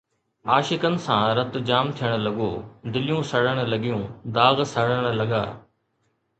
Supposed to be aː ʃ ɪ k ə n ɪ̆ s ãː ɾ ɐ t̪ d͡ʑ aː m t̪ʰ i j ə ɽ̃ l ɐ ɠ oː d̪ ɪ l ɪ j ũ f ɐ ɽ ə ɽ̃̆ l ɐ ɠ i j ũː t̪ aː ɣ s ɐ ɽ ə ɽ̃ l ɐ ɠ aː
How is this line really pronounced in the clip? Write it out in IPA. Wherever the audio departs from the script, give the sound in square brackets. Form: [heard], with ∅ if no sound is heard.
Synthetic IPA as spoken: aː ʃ ɪ k ə n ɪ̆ s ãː ɾ ɐ t̪ d͡ʑ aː m t̪ʰ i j ə ɽ̃ l ɐ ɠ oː d̪ ɪ l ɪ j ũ [s] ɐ ɽ ə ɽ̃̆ l ɐ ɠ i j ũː [d̪] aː ɣ s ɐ ɽ ə ɽ̃ l ɐ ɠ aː